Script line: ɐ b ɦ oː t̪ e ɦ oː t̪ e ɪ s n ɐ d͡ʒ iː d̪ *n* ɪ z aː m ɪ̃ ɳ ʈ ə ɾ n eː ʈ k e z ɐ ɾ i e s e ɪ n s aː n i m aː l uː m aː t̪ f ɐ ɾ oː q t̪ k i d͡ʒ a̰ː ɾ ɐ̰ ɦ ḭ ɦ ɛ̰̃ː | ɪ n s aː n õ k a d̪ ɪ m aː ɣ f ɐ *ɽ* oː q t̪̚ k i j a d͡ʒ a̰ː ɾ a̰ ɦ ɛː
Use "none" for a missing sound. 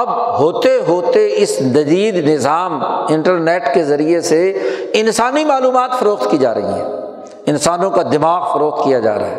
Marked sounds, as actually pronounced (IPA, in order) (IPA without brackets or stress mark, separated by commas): n, ɾ